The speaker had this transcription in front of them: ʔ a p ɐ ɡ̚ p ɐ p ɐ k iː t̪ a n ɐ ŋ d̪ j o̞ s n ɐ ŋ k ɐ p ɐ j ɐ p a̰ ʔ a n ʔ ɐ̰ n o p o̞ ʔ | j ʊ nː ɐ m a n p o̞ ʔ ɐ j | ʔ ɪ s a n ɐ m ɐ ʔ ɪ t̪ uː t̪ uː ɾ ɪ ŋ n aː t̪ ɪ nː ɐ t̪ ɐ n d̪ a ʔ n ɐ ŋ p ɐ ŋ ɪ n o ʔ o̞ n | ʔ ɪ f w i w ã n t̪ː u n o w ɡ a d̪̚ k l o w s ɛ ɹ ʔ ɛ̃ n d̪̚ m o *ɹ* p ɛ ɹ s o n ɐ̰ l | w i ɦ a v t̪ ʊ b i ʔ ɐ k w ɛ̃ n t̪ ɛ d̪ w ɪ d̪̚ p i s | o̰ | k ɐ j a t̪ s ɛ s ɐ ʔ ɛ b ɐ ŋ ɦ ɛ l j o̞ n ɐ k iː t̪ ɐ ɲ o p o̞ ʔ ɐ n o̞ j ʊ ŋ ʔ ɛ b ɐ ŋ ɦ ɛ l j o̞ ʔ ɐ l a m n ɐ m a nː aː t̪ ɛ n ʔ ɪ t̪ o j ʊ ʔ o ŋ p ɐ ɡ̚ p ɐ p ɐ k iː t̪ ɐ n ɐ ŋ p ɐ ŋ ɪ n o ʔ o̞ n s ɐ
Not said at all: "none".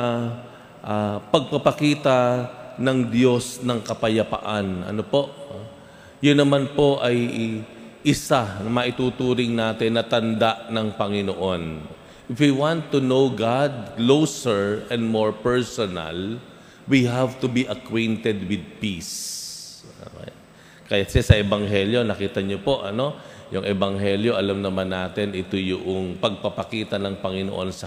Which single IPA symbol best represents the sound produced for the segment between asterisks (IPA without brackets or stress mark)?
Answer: ɹ